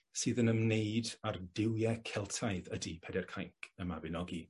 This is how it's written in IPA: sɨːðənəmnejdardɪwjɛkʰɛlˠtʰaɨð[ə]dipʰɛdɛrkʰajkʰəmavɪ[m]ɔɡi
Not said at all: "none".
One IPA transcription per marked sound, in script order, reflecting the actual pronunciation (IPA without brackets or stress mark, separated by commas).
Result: ə, n